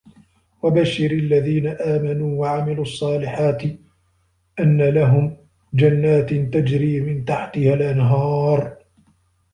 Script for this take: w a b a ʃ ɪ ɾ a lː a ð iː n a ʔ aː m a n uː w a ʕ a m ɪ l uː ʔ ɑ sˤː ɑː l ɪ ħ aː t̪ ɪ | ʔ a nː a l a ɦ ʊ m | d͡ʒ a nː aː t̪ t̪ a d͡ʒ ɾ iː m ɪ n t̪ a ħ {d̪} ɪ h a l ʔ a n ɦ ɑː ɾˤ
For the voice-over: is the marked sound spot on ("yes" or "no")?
no